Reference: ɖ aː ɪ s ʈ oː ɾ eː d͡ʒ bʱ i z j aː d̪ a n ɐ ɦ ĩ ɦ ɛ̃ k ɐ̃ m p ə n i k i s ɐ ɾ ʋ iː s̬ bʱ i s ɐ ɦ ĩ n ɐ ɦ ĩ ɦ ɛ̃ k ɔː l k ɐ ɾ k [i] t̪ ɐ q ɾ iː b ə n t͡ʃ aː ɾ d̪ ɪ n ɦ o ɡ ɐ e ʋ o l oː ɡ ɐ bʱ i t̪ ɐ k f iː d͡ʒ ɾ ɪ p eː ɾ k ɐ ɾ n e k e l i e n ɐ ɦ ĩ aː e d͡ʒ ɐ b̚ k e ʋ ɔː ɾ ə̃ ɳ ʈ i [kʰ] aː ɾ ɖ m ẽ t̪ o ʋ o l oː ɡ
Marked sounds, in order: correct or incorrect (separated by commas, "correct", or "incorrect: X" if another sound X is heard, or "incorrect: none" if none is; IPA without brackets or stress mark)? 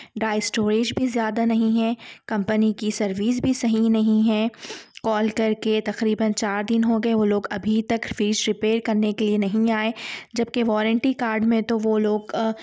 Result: incorrect: e, incorrect: k